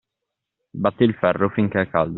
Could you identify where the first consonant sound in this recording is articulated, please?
labial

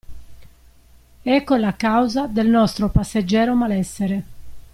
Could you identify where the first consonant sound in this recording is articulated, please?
velar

